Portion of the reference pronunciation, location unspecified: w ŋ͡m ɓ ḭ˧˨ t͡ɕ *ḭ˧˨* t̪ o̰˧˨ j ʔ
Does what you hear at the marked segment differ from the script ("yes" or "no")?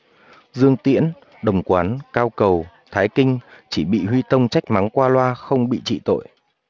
no